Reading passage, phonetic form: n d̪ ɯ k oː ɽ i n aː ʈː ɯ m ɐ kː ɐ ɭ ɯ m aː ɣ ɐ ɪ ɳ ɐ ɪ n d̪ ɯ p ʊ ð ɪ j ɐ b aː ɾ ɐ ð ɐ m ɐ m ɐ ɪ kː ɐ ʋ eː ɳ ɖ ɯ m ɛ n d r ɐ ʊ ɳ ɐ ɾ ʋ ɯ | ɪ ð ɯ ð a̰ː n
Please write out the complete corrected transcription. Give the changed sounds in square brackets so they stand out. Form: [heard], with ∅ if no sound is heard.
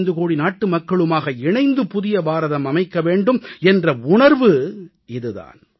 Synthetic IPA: n d̪ ɯ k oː ɽ i n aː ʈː ɯ m ɐ kː ɐ ɭ ɯ m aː ɣ ɐ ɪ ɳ ɐ ɪ n d̪ ɯ p ʊ ð ɪ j ɐ b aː ɾ ɐ ð ɐ m ɐ m ɐ ɪ kː ɐ ʋ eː ɳ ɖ ɯ m ɛ n d r ɐ ʊ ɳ ɐ ɾ ʋ ɯ | ɪ ð ɯ ð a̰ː n